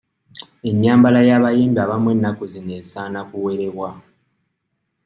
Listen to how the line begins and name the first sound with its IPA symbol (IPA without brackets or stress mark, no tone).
e̞